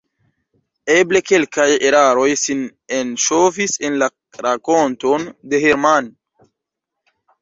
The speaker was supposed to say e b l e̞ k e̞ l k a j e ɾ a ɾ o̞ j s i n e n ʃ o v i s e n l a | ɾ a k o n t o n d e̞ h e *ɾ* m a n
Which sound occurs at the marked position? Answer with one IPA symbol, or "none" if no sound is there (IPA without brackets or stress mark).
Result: ɾ